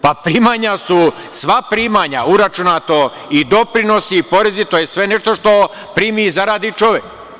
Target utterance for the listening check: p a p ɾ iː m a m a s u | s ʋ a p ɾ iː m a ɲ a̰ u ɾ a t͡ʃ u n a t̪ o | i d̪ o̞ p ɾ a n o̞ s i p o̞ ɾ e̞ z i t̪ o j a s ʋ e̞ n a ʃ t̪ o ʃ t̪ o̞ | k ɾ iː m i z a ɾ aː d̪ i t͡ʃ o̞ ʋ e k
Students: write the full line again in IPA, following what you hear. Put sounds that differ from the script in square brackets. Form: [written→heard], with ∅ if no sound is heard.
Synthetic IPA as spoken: p a p ɾ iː m a [m→ɲ] a s u | s ʋ a p ɾ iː m a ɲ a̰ u ɾ a t͡ʃ u n a t̪ o | i d̪ o̞ p ɾ [a→i] n o̞ s i p o̞ ɾ e̞ z i t̪ o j [a→e] s ʋ e̞ n [a→e] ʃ t̪ o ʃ t̪ o̞ | [k→p] ɾ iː m i z a ɾ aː d̪ i t͡ʃ o̞ ʋ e k

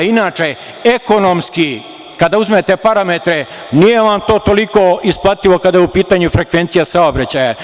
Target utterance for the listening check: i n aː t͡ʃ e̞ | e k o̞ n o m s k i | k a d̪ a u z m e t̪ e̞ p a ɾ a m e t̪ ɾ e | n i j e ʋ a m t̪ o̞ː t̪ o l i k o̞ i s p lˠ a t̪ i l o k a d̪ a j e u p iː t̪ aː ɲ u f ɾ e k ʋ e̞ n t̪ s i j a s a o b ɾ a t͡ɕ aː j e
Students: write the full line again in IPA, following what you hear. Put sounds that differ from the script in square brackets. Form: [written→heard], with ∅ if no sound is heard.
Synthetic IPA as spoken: i n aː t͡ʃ e̞ | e k o̞ n o m s k i | k a d̪ a u z m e t̪ e̞ p a ɾ a m e t̪ ɾ e | n i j e ʋ a m t̪ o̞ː t̪ o l i k o̞ i s p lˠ a t̪ i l o k a d̪ a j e u p iː t̪ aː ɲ u f ɾ e k ʋ e̞ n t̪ s i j a s a o b ɾ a t͡ɕ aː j [e→a]

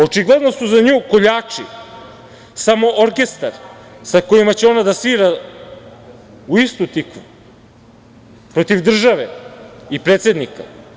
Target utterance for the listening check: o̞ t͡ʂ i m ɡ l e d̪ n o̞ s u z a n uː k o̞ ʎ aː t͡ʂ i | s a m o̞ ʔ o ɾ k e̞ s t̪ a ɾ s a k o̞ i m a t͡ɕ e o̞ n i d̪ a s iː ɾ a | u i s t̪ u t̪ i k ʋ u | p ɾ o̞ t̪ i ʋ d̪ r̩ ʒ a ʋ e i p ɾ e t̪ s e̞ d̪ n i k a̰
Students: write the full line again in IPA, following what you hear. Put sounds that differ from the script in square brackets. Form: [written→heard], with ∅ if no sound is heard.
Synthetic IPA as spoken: o̞ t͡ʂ i [m→∅] ɡ l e d̪ n o̞ s u z a [n→ɲ] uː k o̞ ʎ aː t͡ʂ i | s a m o̞ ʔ o ɾ k e̞ s t̪ a ɾ s a k o̞ i m a t͡ɕ e o̞ n [i→a] d̪ a s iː ɾ a | u i s t̪ u t̪ i k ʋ u | p ɾ o̞ t̪ i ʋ d̪ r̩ ʒ a ʋ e i p ɾ e t̪ s e̞ d̪ n i k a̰

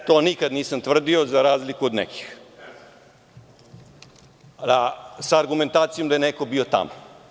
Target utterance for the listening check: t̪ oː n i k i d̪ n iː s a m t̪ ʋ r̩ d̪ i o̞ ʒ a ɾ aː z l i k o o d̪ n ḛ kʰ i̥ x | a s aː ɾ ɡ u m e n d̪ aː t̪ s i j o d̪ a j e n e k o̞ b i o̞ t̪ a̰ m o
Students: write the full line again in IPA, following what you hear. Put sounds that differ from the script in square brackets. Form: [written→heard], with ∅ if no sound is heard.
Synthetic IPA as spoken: t̪ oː n i k [i→a] d̪ n iː s a m t̪ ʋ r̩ d̪ i o̞ [ʒ→z] a ɾ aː z l i k [o→u] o d̪ n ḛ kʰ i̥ x | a s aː ɾ ɡ u m e n [d̪→t̪] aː t̪ s i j o d̪ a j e n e k o̞ b i o̞ t̪ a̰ m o

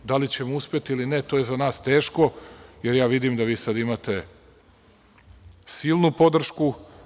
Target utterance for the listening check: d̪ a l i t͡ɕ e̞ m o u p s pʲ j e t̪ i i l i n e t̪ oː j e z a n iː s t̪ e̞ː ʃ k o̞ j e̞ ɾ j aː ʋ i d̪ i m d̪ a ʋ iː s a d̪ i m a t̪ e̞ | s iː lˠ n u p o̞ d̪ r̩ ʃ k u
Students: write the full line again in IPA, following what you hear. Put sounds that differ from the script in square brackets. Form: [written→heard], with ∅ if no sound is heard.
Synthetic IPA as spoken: d̪ a l i t͡ɕ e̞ m o u [p→∅] s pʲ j e t̪ i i l i n e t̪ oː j e z a n [iː→aː] s t̪ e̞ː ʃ k o̞ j e̞ ɾ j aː ʋ i d̪ i m d̪ a ʋ iː s a d̪ i m a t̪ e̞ | s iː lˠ n u p o̞ d̪ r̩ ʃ k u

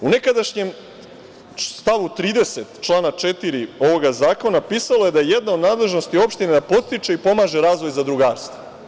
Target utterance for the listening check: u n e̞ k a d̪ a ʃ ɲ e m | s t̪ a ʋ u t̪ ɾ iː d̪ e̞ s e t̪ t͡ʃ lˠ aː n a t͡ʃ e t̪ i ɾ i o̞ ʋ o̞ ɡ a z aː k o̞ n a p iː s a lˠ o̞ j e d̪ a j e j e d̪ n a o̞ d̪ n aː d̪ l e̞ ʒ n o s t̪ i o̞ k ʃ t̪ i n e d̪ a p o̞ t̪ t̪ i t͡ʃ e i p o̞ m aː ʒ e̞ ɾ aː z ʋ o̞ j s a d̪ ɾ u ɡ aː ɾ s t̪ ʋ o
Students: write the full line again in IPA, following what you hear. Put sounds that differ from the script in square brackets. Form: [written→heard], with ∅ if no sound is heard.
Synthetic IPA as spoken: u n e̞ k a d̪ a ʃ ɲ e m | s t̪ a ʋ u t̪ ɾ iː d̪ e̞ s e t̪ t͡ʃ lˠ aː n a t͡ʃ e t̪ i ɾ i o̞ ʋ o̞ ɡ a z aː k o̞ n a p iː s a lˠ o̞ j e d̪ a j e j e d̪ n a o̞ d̪ n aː d̪ l e̞ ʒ n o s t̪ i o̞ [k→p] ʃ t̪ i n e d̪ a p o̞ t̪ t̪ i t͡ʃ e i p o̞ m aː ʒ e̞ ɾ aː z ʋ o̞ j [s→z] a d̪ ɾ u ɡ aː ɾ s t̪ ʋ o

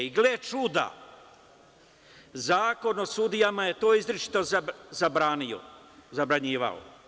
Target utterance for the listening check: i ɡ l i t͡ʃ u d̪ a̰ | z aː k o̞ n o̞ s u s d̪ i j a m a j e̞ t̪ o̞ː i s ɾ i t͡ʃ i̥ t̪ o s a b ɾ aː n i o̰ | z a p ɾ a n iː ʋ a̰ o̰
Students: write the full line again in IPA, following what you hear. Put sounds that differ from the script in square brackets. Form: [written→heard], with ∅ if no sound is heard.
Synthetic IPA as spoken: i ɡ l [i→e] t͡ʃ u d̪ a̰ | z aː k o̞ n o̞ s u [s→∅] d̪ i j a m a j e̞ t̪ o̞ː i [s→z] ɾ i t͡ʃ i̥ t̪ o [s→z] a b ɾ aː n i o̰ | z a [p→b] ɾ a [n→ɲ] iː ʋ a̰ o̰

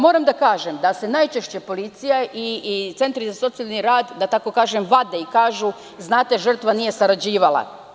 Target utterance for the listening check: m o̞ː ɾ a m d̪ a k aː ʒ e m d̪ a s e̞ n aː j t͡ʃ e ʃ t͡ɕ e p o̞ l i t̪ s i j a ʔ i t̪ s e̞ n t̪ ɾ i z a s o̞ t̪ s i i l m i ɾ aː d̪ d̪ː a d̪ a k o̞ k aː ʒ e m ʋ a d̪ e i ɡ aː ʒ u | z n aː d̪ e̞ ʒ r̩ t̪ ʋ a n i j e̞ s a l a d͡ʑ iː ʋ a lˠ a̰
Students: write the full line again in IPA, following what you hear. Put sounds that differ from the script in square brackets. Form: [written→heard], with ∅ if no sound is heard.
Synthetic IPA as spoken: m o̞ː ɾ a m d̪ a k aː ʒ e m d̪ a s e̞ n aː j t͡ʃ e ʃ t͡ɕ e p o̞ l i t̪ s i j a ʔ i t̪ s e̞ n t̪ ɾ i z a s o̞ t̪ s i [i→a] l [m→n] i ɾ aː d̪ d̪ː a [d̪→t̪] a k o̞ k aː ʒ e m ʋ a d̪ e i [ɡ→k] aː ʒ u | z n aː [d̪→t̪] e̞ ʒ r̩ t̪ ʋ a n i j e̞ s a [l→ɾ] a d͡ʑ iː ʋ a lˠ a̰

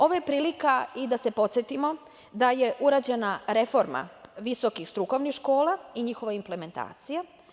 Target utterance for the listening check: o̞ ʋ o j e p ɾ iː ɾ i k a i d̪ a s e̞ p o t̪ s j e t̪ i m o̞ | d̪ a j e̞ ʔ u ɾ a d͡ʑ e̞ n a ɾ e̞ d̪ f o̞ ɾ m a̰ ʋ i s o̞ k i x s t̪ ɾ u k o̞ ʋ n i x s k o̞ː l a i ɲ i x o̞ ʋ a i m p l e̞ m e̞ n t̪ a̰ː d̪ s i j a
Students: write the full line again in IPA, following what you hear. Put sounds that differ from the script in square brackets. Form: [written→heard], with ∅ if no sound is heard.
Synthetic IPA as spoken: o̞ ʋ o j e p ɾ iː [ɾ→l] i k a i d̪ a s e̞ p o t̪ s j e t̪ i m o̞ | d̪ a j e̞ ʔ u ɾ a d͡ʑ e̞ n a ɾ e̞ [d̪→∅] f o̞ ɾ m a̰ ʋ i s o̞ k i x s t̪ ɾ u k o̞ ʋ n i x [s→ʃ] k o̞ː l a i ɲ i x o̞ ʋ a i m p l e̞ m e̞ n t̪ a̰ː [d̪→t̪] s i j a

